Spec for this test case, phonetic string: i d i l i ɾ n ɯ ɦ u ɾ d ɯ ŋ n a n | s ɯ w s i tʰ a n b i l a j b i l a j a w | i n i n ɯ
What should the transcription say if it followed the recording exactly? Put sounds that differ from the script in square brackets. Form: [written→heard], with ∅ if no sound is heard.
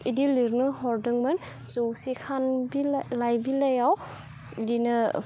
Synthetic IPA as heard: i d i l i ɾ n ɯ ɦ [u→ɔ] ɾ d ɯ ŋ [n→m] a n | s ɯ w s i [tʰ→kʰ] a n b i l a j b i l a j a w | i [n→d] i n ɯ